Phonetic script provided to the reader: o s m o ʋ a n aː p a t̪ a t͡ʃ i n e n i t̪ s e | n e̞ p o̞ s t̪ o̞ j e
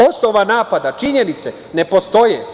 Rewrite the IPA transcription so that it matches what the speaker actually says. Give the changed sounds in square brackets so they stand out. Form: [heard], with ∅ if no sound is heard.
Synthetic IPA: o s [n] o ʋ a n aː p a [d̪] a t͡ʃ i [ɲ] e n i t̪ s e | n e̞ p o̞ s t̪ o̞ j e